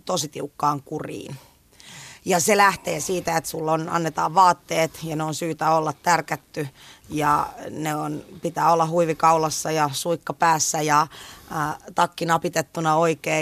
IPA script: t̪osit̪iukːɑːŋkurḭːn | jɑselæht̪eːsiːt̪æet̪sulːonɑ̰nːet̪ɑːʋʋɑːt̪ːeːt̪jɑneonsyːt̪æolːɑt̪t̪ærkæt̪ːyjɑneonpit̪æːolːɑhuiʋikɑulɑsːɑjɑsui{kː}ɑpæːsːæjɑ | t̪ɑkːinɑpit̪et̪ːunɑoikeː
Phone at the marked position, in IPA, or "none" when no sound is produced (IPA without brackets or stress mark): kː